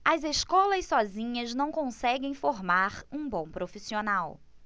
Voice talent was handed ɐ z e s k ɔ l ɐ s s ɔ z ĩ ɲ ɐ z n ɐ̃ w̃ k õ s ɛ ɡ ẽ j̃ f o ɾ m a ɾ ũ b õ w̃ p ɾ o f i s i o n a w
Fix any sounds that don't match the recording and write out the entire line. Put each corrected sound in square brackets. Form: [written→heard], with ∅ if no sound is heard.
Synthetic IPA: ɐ z e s k ɔ l ɐ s s ɔ z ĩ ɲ ɐ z n ɐ̃ w̃ k õ s ɛ ɡ ẽ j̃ f o ɾ m a ɾ ũ b õ w̃ p ɾ o f i s i o n a w

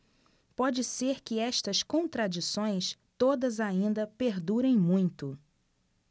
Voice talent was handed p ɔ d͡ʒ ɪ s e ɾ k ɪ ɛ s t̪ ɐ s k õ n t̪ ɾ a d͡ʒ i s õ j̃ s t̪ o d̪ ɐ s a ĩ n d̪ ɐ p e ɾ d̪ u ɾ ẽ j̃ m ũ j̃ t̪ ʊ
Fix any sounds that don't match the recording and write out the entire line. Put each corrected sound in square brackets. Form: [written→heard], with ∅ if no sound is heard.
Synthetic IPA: p ɔ d͡ʒ ɪ s e ɾ k ɪ ɛ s t̪ ɐ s k õ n t̪ ɾ a d͡ʒ i s õ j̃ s t̪ o d̪ ɐ [s→z] a ĩ n d̪ ɐ p e ɾ d̪ u ɾ ẽ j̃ m ũ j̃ t̪ ʊ

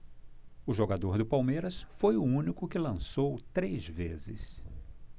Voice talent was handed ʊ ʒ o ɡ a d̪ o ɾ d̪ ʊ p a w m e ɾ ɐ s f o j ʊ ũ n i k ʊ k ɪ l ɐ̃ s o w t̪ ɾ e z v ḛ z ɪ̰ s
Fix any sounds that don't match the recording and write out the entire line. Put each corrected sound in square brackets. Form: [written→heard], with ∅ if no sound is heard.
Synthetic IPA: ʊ ʒ o ɡ a d̪ o ɾ d̪ ʊ p a w m e ɾ ɐ s f o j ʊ ũ n i k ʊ k ɪ l ɐ̃ s o w t̪ ɾ e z v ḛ z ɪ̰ s

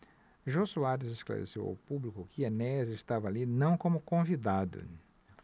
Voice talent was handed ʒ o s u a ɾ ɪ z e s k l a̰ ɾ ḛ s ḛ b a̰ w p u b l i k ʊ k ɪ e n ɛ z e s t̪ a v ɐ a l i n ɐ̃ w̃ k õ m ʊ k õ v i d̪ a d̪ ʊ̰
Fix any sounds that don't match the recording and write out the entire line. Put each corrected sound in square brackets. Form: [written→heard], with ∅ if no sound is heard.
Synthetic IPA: ʒ o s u a ɾ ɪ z e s k l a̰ ɾ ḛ s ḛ [b→w] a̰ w p u b l i k ʊ k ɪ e n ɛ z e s t̪ a v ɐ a l i n ɐ̃ w̃ k õ m ʊ k õ v i d̪ a d̪ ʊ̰

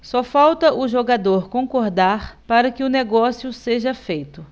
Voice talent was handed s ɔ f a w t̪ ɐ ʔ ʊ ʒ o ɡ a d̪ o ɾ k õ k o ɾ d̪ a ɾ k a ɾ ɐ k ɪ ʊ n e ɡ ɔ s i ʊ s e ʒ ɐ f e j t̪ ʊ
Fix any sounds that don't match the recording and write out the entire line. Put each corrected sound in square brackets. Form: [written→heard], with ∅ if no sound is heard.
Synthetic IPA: s ɔ f a w t̪ ɐ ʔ ʊ ʒ o ɡ a d̪ o ɾ k õ k o ɾ d̪ a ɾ [k→p] a ɾ ɐ k ɪ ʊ n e ɡ ɔ s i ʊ s e ʒ ɐ f e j t̪ ʊ

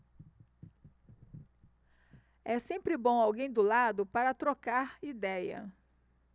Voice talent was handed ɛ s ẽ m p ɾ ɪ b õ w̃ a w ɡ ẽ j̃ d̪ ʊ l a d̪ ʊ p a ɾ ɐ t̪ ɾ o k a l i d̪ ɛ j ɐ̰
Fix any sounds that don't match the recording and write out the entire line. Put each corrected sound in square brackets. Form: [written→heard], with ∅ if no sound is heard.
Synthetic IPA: ɛ s ẽ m p ɾ ɪ b õ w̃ a w ɡ ẽ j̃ d̪ ʊ l a d̪ ʊ p a ɾ ɐ t̪ ɾ o k a [l→ɾ] i d̪ ɛ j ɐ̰

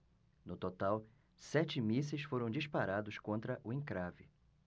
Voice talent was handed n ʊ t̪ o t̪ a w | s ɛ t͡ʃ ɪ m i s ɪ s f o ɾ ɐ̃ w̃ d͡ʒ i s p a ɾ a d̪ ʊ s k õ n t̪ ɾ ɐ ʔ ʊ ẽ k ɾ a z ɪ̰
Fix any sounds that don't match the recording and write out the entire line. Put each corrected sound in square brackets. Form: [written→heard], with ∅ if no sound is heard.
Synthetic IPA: n ʊ t̪ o t̪ a w | s ɛ t͡ʃ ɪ m i s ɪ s f o ɾ ɐ̃ w̃ d͡ʒ i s p a ɾ a d̪ ʊ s k õ n t̪ ɾ ɐ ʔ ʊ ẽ k ɾ a [z→v] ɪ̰

